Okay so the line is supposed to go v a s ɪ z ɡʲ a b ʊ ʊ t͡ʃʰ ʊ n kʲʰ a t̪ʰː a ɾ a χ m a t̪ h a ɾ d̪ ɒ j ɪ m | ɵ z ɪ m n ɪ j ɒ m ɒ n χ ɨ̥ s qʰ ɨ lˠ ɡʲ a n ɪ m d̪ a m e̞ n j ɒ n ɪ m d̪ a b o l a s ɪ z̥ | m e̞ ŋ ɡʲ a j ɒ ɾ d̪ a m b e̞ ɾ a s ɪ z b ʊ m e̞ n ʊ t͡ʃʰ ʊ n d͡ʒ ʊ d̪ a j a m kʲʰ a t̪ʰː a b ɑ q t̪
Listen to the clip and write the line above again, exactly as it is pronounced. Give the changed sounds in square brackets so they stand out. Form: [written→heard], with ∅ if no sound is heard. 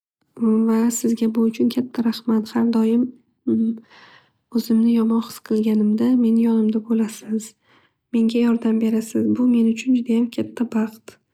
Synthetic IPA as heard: v a s ɪ z ɡʲ a b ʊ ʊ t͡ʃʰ ʊ n kʲʰ a t̪ʰː a ɾ a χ m a t̪ h a ɾ d̪ ɒ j ɪ m | ɵ z ɪ m n ɪ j ɒ m ɒ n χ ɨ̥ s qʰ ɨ lˠ ɡʲ a n ɪ m d̪ a m e̞ n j ɒ n ɪ m d̪ a b o l a s ɪ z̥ | m e̞ ŋ ɡʲ a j ɒ ɾ d̪ a m b e̞ ɾ a s ɪ z b ʊ m e̞ n ʊ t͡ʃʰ ʊ n d͡ʒ ʊ d̪ a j a m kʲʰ a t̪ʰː a b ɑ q t̪